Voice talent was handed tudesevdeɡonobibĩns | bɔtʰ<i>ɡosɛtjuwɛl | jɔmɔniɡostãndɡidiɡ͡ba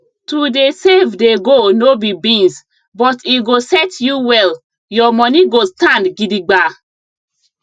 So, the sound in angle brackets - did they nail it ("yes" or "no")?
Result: yes